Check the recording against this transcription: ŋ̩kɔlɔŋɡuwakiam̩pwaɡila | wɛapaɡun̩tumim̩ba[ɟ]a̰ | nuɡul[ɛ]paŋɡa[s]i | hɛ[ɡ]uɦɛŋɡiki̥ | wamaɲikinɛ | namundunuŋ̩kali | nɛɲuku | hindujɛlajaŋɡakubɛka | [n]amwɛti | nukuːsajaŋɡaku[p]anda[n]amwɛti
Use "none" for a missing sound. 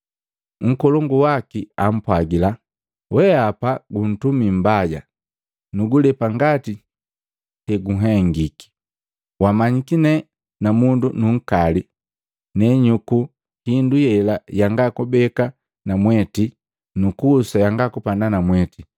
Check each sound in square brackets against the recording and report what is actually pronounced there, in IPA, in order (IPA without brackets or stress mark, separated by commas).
ɟ, ɛ, t, ɡ, n, p, n